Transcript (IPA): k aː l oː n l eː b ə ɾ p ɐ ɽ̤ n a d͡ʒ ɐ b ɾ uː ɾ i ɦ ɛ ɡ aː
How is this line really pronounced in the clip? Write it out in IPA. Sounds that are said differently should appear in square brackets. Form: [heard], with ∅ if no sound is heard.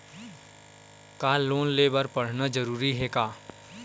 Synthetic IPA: k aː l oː n l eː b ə ɾ p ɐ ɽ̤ n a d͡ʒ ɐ [∅] ɾ uː ɾ i ɦ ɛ [k] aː